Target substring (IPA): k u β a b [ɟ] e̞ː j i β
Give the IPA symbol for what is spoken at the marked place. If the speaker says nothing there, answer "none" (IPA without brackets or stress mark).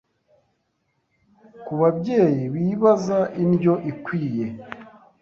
ɟ